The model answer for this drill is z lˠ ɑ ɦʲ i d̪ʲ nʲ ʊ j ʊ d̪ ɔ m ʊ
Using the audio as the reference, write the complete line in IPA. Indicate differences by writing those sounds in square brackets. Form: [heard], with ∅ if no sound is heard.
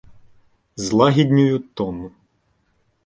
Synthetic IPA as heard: z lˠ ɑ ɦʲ i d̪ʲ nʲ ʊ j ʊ [t̪] ɔ [n] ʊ